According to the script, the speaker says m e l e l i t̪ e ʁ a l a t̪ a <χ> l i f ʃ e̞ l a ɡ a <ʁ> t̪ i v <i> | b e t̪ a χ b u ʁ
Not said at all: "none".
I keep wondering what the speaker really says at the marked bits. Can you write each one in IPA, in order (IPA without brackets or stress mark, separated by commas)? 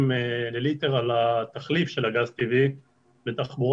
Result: χ, z, i